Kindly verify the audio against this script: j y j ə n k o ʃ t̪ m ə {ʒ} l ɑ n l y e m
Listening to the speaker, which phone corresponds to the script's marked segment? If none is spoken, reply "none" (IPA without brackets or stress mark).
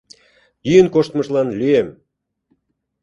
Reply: ʃ